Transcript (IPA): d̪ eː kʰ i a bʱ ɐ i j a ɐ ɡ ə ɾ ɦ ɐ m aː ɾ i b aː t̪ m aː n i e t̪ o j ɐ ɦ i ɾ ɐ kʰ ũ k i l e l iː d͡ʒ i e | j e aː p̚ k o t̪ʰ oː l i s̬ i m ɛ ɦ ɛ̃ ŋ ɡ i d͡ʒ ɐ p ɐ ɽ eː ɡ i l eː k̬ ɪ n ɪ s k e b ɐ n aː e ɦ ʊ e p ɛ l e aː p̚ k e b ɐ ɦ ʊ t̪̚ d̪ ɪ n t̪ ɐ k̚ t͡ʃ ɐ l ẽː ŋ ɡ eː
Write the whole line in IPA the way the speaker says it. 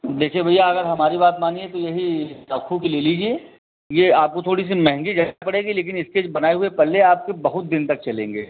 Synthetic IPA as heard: d̪ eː kʰ i e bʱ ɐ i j a ɐ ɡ ə ɾ ɦ ɐ m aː ɾ i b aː t̪ m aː n i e t̪ o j ɐ ɦ i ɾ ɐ kʰ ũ k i l e l iː d͡ʒ i e | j e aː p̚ k o t̪ʰ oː ɽ i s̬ i m ɛ ɦ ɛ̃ ŋ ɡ i d͡ʒ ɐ p ɐ ɽ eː ɡ i l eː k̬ ɪ n ɪ s k e b ɐ n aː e ɦ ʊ e p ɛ l e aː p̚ k e b ɐ ɦ ʊ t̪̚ d̪ ɪ n t̪ ɐ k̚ t͡ʃ ɐ l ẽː ŋ ɡ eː